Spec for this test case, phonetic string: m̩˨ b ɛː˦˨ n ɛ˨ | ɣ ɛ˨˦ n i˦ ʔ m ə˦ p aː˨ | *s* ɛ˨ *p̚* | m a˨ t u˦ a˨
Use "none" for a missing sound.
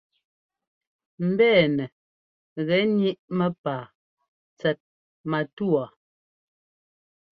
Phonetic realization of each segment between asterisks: t͡s, t̚

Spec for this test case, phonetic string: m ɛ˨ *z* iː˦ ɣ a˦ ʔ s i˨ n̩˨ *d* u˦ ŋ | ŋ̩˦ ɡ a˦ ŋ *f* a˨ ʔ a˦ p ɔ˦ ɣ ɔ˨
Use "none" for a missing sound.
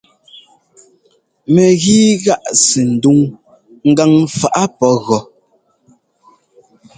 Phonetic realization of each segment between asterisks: ɣ, d, f

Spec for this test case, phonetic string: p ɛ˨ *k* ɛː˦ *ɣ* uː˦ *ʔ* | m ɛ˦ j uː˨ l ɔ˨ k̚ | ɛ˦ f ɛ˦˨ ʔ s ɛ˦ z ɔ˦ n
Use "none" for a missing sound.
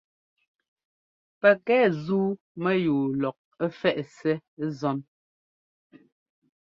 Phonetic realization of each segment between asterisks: k, z, none

